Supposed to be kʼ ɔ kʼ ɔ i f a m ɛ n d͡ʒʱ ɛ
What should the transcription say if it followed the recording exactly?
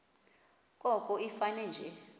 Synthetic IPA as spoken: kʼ ɔ kʼ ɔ i f a n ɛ n d͡ʒʱ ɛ